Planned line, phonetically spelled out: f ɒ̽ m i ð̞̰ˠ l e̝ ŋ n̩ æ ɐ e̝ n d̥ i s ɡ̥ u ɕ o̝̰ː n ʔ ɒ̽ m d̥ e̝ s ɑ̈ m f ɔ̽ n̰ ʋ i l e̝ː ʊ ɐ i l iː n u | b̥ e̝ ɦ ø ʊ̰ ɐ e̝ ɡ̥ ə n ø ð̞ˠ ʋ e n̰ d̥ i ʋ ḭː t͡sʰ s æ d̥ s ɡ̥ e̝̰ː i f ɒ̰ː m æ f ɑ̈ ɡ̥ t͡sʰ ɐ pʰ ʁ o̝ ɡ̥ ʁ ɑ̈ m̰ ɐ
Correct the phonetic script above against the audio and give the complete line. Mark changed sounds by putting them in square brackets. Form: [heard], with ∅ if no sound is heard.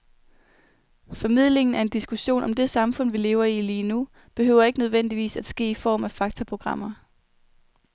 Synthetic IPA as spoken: f ɒ̽ m i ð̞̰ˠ l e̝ ŋ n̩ æ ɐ e̝ n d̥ i s ɡ̥ u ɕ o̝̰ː n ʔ ɒ̽ m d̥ e̝ s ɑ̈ m f ɔ̽ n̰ ʋ i l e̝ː ʊ ɐ i l iː n u | b̥ e̝ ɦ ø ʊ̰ ɐ e̝ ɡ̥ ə n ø ð̞ˠ ʋ e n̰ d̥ i ʋ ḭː [∅] s æ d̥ s ɡ̥ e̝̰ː i f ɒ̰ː m æ f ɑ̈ ɡ̥ t͡sʰ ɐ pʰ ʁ o̝ ɡ̥ ʁ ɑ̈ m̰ ɐ